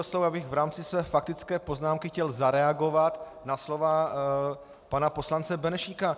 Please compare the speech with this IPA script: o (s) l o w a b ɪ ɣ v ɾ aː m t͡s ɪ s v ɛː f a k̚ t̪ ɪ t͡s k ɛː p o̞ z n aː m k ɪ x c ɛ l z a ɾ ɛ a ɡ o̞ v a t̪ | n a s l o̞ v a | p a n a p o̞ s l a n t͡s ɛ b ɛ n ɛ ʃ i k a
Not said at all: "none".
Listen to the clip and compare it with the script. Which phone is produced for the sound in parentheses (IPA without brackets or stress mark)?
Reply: s